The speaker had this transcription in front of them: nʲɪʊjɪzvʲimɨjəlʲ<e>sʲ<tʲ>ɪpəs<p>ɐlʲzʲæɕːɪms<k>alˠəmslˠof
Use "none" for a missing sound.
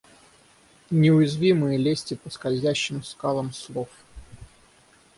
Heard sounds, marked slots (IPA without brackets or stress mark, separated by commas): e, tʲ, k, k